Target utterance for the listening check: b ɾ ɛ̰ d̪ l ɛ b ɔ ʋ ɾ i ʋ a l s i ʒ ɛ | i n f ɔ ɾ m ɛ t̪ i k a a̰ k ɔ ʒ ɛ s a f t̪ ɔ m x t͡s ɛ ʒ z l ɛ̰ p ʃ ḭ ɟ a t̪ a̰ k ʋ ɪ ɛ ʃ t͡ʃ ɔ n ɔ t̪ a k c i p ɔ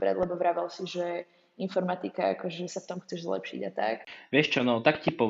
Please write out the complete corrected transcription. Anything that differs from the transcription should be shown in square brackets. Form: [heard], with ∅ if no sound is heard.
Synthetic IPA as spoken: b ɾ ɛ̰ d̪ l ɛ b ɔ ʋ ɾ [a] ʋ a l s i ʒ ɛ | i n f ɔ ɾ m [a] t̪ i k a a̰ k ɔ ʒ ɛ s a f t̪ ɔ m x t͡s ɛ ʒ z l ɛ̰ p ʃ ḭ ɟ a t̪ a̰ k ʋ ɪ ɛ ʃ t͡ʃ ɔ n ɔ t̪ a k c i p ɔ